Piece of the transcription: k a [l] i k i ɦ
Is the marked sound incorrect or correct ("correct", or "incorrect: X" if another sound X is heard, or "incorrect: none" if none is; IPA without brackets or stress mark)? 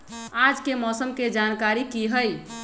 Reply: incorrect: ɾ